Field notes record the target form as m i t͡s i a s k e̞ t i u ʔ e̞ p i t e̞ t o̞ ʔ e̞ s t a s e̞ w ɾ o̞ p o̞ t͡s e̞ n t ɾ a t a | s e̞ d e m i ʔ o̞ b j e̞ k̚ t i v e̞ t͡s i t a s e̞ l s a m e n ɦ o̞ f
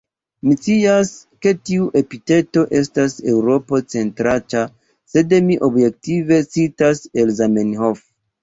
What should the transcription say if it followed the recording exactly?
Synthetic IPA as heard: m i t͡s i a s k e̞ t i u ʔ e̞ p i t e̞ t o̞ ʔ e̞ s t a s e̞ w ɾ o̞ p o̞ t͡s e̞ n t ɾ a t a | s e̞ d e m i ʔ o̞ b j e̞ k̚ t i v e̞ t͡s i t a s e̞ l z a m e n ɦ o̞ f